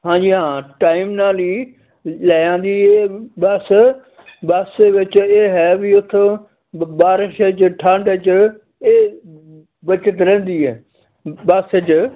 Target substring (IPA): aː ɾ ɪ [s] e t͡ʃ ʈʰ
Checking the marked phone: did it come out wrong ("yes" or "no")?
yes